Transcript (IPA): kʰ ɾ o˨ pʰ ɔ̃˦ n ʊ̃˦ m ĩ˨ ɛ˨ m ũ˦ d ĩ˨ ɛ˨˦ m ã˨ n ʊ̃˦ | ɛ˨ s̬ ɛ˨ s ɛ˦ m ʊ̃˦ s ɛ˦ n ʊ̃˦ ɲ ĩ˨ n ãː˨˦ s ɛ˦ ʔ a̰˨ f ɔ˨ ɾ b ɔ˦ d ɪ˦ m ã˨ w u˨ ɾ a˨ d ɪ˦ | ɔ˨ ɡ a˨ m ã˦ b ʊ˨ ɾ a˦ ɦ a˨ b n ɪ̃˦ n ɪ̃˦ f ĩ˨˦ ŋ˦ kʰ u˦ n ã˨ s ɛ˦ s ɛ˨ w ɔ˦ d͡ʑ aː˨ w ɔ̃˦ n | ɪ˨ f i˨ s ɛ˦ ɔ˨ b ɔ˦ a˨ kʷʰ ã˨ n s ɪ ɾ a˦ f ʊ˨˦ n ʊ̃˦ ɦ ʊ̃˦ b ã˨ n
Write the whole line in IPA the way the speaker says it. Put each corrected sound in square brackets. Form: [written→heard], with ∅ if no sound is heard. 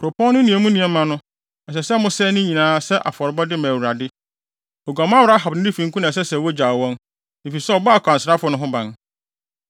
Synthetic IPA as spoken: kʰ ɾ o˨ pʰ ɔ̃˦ n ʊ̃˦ [m→n] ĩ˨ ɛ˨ m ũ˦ [d→n] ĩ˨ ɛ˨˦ m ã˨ n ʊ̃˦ | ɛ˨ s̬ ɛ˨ s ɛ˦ m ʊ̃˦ s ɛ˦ n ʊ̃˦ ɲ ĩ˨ n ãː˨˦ s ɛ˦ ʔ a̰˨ f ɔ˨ ɾ b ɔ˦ d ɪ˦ m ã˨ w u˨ ɾ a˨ d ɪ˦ | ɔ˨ ɡ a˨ m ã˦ [b→w] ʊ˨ ɾ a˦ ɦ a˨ b n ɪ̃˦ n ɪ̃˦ f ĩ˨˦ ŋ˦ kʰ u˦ n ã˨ s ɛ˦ s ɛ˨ w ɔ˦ d͡ʑ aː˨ w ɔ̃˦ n | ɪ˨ f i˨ s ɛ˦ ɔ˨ b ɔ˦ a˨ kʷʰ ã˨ n s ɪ ɾ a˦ f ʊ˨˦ n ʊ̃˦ ɦ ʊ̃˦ b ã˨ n

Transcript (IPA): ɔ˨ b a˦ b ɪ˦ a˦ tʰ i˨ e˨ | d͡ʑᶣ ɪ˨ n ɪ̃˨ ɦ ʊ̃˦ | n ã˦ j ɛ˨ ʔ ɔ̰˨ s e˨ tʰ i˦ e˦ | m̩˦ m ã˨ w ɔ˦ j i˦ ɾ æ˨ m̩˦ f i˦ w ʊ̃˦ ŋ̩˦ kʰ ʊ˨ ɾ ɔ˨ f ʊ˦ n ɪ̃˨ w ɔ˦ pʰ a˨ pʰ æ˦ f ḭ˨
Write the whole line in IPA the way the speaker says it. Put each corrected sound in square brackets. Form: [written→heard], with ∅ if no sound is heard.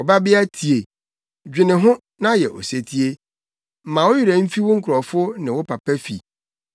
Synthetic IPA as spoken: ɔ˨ b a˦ b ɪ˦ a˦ tʰ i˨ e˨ | d͡ʑᶣ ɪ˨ n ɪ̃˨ ɦ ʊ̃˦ | n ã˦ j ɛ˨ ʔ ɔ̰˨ s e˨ tʰ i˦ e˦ | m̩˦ m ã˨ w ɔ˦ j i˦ ɾ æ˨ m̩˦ f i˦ w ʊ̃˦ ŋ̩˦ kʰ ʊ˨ ɾ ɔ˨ f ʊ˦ n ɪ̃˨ w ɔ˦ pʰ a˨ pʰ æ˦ f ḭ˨

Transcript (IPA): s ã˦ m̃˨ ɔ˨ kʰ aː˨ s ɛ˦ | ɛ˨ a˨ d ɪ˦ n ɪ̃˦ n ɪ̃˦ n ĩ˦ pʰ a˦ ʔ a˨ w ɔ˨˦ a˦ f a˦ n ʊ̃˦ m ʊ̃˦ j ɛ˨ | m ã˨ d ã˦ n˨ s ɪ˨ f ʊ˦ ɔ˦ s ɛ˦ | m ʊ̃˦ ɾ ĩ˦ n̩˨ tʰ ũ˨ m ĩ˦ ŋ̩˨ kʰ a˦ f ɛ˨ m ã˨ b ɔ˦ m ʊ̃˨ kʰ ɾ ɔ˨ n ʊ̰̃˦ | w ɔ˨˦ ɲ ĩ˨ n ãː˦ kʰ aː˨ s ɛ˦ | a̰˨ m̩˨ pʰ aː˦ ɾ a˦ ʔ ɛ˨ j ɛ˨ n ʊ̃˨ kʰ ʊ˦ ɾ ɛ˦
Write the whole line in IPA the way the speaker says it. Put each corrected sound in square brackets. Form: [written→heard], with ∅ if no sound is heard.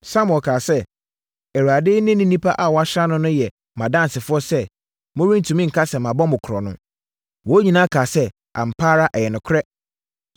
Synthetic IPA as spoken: s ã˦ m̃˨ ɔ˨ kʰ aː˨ s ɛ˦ | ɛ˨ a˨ d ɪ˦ n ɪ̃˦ n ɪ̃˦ n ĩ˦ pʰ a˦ ʔ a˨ w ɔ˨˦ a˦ [f→ɕ] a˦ n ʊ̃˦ [m→n] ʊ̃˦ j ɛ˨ | m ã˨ d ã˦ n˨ s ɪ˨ f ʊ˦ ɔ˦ s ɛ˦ | m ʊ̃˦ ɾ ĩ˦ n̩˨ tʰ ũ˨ m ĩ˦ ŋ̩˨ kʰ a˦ [f→s] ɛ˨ m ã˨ b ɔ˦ m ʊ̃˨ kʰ ɾ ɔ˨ n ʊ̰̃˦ | w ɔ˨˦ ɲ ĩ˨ n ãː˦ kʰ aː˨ s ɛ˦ | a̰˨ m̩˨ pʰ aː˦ ɾ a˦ ʔ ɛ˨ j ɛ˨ n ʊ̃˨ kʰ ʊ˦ ɾ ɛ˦

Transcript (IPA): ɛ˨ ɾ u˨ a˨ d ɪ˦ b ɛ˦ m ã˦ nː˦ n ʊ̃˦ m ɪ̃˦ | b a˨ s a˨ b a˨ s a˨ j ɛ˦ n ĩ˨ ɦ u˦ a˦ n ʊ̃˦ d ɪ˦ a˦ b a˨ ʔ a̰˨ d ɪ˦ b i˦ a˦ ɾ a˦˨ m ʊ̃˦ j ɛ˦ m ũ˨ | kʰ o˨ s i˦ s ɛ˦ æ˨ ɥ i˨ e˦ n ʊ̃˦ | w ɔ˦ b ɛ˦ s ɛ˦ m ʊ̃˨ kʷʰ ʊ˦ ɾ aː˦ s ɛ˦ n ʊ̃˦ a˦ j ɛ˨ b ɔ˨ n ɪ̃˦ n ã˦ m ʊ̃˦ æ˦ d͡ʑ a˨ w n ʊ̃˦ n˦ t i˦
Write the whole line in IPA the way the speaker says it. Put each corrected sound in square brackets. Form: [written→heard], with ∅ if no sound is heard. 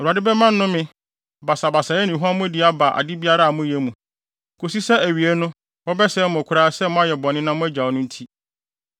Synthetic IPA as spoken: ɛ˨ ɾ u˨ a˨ d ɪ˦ b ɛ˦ m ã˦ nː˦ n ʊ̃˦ m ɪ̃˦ | b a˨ s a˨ b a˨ s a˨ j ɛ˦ n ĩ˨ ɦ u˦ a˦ [n→m] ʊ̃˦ d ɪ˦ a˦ b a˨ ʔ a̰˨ d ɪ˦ b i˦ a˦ ɾ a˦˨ m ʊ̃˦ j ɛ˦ m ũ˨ | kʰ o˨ s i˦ s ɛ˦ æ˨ ɥ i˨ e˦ n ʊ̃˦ | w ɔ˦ b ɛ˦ s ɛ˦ m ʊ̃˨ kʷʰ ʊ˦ ɾ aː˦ s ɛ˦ [n→m] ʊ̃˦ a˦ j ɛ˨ b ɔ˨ n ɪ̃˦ n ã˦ m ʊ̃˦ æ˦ d͡ʑ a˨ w n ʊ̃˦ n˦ [t→tʰ] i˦

